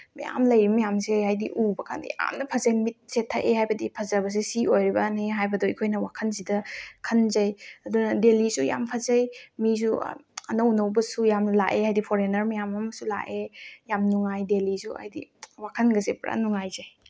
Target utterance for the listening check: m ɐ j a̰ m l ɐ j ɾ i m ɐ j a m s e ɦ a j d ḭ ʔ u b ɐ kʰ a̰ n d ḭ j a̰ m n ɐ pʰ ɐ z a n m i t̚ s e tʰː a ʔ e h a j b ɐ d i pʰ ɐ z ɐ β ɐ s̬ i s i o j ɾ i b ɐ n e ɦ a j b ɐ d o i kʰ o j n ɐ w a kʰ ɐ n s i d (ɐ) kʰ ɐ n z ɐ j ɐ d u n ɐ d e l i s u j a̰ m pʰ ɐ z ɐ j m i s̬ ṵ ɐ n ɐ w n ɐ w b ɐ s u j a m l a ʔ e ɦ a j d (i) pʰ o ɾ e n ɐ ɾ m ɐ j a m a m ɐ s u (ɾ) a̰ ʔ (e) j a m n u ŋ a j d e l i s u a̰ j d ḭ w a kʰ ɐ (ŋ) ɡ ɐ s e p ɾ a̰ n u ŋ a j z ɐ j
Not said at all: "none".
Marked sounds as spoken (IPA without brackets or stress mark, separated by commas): ɐ, i, l, e, n